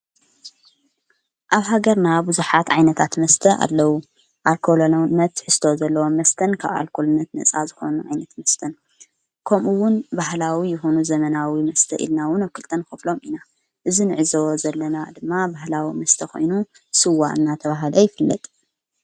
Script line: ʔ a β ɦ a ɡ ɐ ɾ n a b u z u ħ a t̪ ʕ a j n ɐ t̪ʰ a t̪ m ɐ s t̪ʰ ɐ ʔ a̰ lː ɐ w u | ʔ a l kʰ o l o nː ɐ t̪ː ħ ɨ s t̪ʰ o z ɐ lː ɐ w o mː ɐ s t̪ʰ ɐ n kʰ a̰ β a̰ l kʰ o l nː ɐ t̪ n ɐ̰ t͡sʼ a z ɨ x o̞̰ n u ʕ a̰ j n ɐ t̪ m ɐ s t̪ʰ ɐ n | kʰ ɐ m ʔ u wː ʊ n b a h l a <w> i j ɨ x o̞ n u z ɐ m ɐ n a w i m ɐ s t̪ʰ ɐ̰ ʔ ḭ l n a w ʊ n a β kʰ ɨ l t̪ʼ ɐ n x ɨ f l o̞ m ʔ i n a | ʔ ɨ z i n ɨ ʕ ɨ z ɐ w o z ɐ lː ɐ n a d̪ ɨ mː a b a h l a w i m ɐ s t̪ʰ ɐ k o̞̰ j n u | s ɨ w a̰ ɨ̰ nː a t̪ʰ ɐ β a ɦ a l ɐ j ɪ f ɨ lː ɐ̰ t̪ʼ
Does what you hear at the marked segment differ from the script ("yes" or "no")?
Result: no